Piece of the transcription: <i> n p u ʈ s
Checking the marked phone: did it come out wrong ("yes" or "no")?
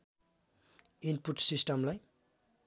no